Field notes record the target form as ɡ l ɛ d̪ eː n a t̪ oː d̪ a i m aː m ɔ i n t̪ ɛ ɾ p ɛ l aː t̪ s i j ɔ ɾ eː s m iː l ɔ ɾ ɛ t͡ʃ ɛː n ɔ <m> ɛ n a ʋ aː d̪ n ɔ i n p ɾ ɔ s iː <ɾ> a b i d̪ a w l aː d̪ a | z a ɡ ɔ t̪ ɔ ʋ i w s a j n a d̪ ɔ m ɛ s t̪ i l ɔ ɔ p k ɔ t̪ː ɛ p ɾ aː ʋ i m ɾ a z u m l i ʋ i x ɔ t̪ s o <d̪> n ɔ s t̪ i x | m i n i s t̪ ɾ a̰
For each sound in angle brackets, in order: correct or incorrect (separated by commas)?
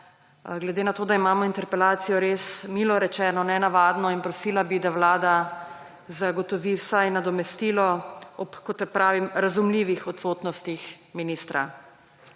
incorrect, incorrect, incorrect